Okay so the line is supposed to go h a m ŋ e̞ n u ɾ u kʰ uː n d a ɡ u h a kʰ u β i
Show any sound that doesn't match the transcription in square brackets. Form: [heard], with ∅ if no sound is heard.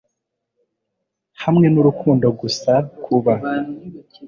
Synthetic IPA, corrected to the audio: h a m ŋ e̞ n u ɾ u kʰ uː n d a ɡ u [s] a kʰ u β [a]